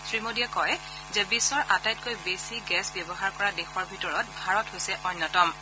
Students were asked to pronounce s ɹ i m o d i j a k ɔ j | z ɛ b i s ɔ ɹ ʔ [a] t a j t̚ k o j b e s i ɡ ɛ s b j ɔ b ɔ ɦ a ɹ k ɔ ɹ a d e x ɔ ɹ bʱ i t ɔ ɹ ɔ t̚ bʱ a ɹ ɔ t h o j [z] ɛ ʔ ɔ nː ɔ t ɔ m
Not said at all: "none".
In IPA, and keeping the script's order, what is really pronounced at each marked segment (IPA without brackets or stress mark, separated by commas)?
a, s